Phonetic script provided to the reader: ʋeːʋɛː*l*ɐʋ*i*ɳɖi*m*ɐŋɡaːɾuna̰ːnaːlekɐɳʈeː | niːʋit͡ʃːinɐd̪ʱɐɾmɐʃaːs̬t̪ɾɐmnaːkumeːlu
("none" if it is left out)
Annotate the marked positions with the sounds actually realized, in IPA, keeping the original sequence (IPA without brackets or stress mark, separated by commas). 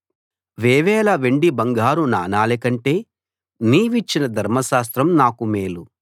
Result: l, e, b